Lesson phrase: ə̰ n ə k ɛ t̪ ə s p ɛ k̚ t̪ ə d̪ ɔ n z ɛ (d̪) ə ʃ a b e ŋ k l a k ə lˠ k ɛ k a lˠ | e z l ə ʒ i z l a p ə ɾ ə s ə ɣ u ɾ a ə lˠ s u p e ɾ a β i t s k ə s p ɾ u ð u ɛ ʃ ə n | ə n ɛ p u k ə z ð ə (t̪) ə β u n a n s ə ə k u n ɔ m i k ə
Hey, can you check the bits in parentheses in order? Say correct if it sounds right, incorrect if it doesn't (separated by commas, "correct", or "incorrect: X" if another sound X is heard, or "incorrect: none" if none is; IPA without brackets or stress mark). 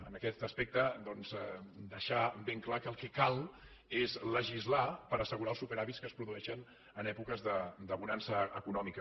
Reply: correct, incorrect: d̪